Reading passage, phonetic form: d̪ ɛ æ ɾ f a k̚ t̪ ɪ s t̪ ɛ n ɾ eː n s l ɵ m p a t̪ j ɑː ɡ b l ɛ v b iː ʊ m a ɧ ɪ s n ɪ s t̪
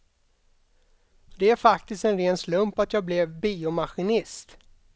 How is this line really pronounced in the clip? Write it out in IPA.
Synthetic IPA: d̪ ɛ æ ɾ f a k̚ t̪ ɪ s t̪ ɛ n ɾ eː n s l ɵ m p a t̪ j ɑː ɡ b l ɛ v b iː ʊ m a ɧ ɪ n ɪ s t̪